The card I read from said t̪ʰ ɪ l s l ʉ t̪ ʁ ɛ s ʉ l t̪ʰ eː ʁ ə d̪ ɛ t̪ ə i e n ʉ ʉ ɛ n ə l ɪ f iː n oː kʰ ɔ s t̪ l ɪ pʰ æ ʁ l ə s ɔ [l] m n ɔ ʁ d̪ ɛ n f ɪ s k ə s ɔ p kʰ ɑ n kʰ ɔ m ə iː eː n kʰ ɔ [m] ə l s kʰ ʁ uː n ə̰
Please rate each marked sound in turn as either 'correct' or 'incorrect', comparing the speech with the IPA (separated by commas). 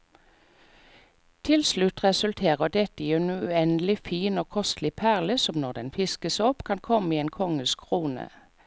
incorrect, incorrect